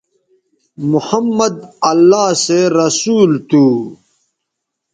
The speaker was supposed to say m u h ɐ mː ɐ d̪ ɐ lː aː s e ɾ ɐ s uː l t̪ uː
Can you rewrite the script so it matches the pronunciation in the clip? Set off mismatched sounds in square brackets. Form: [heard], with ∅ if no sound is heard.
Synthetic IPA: m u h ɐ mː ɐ d̪ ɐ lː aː s e ɾ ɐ s uː l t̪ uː